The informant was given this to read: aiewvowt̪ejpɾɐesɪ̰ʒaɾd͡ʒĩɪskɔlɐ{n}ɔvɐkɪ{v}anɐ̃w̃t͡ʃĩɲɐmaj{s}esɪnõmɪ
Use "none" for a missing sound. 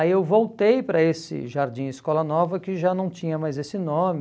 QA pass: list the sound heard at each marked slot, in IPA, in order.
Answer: n, ʒ, z

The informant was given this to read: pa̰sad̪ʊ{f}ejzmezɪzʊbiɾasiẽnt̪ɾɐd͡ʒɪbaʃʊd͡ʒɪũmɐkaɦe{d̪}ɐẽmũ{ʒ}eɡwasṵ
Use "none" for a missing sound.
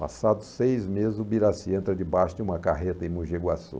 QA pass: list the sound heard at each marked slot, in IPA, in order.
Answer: s, t̪, ʒ

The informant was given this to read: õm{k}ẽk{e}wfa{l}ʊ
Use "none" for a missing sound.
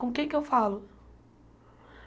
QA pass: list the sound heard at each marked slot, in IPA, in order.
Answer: k, e, l

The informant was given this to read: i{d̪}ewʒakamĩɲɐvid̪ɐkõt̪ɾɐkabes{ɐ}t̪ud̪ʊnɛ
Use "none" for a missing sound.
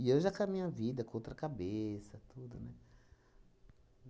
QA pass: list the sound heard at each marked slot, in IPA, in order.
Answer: none, ɐ

